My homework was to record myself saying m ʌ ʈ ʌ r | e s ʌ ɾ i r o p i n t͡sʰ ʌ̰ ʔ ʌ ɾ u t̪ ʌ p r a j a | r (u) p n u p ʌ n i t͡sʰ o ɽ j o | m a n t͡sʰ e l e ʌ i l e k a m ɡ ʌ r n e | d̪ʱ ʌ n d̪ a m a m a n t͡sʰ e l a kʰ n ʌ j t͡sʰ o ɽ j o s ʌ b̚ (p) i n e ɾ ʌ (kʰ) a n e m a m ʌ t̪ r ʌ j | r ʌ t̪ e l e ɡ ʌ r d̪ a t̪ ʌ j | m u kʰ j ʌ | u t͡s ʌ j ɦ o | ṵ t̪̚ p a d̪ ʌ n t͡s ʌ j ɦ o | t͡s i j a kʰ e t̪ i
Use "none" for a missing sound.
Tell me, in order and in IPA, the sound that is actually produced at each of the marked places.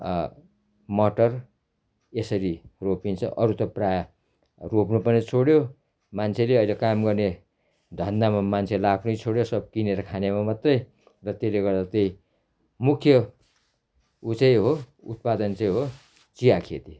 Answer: o, k, kʰ

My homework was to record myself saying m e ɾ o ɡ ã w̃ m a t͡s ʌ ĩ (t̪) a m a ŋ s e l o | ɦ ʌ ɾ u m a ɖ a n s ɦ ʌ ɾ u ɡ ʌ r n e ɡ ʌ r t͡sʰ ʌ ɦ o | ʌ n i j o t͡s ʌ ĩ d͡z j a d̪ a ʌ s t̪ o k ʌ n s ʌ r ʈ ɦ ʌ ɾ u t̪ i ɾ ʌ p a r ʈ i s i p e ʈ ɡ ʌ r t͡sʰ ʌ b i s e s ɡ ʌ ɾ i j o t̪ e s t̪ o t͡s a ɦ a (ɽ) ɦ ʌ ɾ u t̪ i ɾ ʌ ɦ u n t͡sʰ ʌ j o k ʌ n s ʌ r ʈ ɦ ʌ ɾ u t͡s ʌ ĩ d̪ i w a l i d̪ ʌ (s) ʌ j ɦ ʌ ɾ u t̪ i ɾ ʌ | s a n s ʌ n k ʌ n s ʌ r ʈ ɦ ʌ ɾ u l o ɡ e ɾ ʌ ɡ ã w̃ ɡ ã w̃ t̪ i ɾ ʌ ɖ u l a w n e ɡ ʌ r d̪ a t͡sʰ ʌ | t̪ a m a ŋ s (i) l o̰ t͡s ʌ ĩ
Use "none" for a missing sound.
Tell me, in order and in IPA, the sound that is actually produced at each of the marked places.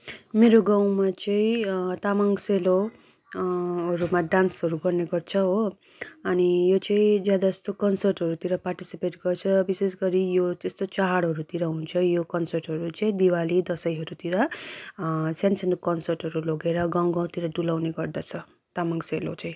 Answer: t̪, ɽ, s, e

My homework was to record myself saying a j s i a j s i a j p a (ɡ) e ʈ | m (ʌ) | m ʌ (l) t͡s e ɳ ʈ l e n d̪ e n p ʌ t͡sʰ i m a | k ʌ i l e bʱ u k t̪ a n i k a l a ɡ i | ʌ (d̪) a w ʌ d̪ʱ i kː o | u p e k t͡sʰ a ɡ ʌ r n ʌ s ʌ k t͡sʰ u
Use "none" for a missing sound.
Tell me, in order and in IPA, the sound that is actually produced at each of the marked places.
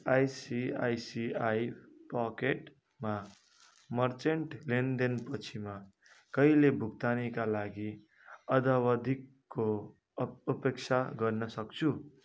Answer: k, a, r, d̪

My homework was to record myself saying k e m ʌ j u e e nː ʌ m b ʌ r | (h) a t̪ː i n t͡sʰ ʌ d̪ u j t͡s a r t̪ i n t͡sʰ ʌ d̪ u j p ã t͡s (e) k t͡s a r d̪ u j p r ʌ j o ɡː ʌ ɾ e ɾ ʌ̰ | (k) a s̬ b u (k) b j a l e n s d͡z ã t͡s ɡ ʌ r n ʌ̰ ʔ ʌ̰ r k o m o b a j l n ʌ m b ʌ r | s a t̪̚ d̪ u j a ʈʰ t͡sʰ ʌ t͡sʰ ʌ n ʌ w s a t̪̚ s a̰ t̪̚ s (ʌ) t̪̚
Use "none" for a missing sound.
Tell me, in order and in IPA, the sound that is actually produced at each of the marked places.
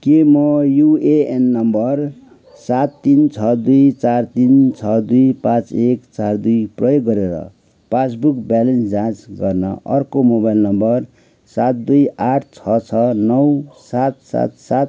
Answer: s, e, p, k, a

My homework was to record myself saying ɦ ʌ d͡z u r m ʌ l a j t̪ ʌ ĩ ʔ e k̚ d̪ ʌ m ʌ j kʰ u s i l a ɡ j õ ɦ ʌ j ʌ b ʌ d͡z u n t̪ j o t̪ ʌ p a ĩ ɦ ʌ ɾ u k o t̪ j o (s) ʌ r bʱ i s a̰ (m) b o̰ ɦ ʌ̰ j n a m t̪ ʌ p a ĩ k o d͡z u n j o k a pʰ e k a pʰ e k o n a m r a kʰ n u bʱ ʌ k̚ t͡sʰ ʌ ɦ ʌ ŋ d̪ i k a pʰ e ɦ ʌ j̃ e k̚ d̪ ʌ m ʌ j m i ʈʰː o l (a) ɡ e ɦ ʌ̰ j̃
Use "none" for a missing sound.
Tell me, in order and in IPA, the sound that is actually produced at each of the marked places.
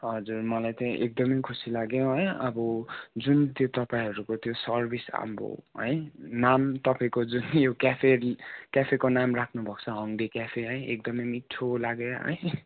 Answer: s, m, a

